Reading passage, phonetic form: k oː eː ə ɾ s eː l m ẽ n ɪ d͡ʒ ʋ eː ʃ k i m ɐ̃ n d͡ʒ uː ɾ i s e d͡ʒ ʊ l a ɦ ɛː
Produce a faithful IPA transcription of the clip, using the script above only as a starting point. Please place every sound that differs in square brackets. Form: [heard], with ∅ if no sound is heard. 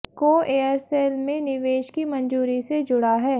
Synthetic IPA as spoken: k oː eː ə ɾ s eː l m ẽ n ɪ [∅] ʋ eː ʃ k i m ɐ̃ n d͡ʒ uː ɾ i s e d͡ʒ ʊ [ɽ] a ɦ ɛː